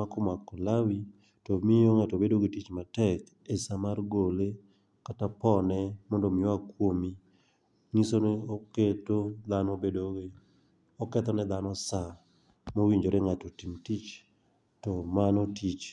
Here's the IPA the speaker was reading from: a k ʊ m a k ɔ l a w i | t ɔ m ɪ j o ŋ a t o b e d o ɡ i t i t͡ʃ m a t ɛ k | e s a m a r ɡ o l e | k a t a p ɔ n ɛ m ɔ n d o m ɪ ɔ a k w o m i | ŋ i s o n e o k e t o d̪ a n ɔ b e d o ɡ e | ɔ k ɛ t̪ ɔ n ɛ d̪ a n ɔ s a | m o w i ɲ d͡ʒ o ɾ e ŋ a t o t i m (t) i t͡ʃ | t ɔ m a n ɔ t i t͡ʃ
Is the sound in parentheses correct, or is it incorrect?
correct